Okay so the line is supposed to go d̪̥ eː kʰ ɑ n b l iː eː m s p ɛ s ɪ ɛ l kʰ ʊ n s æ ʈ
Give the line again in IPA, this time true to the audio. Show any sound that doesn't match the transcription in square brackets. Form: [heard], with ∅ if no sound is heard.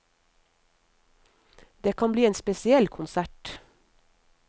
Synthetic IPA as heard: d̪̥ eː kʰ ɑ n b l iː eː [n] s p ɛ s ɪ ɛ l kʰ ʊ n s æ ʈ